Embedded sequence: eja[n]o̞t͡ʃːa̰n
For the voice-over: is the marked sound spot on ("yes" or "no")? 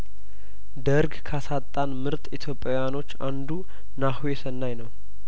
yes